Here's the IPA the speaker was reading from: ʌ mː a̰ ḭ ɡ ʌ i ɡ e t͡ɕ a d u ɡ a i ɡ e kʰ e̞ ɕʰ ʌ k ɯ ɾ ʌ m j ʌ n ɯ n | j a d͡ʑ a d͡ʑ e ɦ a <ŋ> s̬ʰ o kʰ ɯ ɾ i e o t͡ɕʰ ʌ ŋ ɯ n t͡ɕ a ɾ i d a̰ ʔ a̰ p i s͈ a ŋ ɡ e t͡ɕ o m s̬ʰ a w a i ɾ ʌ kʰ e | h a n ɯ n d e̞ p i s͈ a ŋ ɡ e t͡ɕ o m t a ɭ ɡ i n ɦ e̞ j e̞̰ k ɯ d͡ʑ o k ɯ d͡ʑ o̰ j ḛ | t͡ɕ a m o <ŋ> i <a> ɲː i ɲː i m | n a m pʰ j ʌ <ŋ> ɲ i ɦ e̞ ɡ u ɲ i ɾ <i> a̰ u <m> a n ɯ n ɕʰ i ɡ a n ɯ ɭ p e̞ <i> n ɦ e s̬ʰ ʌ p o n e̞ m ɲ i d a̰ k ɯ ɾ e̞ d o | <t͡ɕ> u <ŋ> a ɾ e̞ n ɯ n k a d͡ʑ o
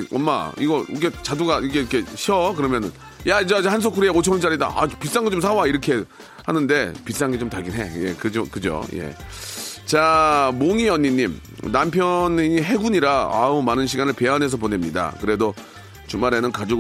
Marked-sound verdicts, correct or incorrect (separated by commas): incorrect, correct, incorrect, incorrect, incorrect, correct, incorrect, correct, incorrect